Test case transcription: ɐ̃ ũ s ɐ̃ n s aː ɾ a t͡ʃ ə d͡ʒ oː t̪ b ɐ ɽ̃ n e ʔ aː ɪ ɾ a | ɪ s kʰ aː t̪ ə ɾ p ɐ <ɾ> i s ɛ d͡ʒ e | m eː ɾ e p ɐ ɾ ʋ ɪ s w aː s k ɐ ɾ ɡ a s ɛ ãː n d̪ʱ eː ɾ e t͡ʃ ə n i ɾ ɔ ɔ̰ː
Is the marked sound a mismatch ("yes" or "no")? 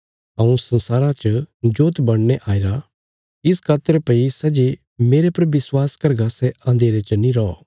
yes